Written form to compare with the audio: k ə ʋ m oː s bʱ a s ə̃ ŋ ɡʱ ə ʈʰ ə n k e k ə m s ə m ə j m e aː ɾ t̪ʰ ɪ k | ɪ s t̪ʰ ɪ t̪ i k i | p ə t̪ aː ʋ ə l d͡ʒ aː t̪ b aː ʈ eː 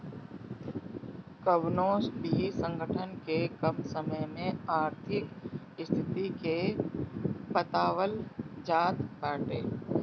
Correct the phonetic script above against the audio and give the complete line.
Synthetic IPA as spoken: k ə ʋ n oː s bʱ i s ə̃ ŋ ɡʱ ə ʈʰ ə n k e k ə m s ə m ə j m ẽ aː ɾ t̪ʰ ɪ k | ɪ s t̪ʰ ɪ t̪ i k e | p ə t̪ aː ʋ ə l d͡ʒ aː t̪ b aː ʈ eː